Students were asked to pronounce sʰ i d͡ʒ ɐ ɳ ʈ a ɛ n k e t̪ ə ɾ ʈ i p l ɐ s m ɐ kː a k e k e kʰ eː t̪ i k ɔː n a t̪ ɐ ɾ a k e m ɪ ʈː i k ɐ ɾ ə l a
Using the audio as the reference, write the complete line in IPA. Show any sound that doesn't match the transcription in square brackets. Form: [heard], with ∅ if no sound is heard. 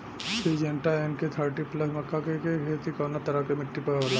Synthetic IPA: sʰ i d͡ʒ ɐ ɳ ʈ a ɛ n k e [t̪ʰ] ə ɾ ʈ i p l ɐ s m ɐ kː a k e k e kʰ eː t̪ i k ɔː n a t̪ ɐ ɾ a k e m ɪ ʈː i [p] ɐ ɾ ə l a